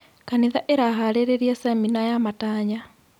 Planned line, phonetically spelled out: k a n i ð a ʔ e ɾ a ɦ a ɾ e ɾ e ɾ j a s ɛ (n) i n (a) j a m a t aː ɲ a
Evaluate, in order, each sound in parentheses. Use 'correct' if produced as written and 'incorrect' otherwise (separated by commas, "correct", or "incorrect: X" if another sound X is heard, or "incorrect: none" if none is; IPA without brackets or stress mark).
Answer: incorrect: m, correct